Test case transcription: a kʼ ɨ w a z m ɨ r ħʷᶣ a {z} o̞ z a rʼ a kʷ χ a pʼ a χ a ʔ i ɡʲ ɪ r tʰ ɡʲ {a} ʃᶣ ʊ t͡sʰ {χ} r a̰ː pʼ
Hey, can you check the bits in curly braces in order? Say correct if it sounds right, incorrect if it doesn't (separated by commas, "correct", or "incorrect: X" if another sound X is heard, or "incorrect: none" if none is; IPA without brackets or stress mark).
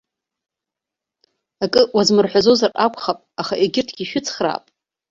correct, incorrect: i, correct